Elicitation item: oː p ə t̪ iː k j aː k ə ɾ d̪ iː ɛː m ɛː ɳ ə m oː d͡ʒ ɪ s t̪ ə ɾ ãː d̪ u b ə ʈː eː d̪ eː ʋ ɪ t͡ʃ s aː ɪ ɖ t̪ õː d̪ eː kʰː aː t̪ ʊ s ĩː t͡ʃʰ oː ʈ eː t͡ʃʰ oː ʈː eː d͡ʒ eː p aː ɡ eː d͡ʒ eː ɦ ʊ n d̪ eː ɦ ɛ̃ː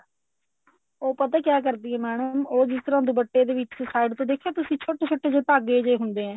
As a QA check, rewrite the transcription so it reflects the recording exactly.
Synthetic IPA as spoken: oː p ə t̪ aː k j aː k ə ɾ d̪ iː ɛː m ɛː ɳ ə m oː d͡ʒ ɪ s t̪ ə ɾ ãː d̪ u b ə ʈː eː d̪ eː ʋ ɪ t͡ʃ s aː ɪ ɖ t̪ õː d̪ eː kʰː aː t̪ ʊ s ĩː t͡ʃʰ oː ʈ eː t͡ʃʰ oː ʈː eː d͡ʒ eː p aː ɡ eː d͡ʒ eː ɦ ʊ n d̪ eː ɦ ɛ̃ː